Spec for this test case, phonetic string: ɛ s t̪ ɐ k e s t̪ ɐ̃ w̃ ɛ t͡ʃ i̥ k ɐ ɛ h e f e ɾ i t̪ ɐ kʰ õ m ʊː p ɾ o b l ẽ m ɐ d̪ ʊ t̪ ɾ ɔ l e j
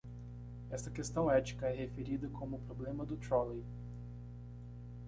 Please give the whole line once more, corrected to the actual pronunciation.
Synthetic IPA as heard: ɛ s t̪ ɐ k e s t̪ ɐ̃ w̃ ɛ t͡ʃ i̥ k ɐ ɛ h e f e ɾ i d̪ ɐ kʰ õ m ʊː p ɾ o b l ẽ m ɐ d̪ ʊ t̪ ɾ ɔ l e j